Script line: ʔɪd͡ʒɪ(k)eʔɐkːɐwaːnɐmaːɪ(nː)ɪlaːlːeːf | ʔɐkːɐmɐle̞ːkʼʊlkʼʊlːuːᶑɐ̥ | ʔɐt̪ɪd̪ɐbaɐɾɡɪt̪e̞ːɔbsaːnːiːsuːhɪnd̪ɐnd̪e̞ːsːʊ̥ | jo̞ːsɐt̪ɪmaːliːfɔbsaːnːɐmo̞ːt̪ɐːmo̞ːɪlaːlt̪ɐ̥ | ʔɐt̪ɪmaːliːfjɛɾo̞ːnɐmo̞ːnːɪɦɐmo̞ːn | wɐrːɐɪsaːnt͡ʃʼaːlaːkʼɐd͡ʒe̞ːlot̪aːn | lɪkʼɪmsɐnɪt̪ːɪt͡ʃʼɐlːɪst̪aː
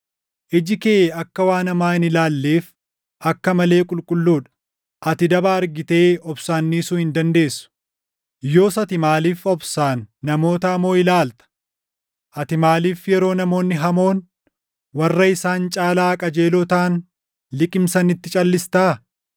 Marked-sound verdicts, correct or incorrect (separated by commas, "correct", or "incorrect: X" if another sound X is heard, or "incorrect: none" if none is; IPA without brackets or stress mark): correct, incorrect: n